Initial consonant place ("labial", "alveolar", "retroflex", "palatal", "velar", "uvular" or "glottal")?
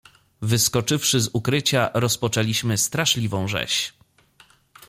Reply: labial